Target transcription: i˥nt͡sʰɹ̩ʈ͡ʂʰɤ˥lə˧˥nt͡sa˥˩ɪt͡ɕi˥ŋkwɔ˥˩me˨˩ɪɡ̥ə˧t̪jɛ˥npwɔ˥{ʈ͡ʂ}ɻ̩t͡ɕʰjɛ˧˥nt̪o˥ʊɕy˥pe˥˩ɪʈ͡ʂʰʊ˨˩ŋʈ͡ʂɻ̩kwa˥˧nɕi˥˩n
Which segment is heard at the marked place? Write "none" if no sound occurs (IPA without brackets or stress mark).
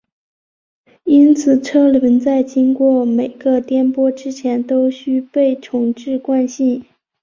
ʈ͡ʂ